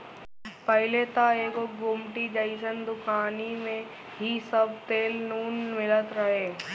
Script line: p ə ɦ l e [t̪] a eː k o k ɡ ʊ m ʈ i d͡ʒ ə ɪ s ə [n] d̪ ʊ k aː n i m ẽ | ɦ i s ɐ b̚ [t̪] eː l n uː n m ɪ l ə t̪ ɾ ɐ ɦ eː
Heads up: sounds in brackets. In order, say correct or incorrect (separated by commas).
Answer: correct, correct, correct